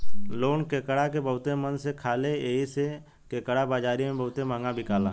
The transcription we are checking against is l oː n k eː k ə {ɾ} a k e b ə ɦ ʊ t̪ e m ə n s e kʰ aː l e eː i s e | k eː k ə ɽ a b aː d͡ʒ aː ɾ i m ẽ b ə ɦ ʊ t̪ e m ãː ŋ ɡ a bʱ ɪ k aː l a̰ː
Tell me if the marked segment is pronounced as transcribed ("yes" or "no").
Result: no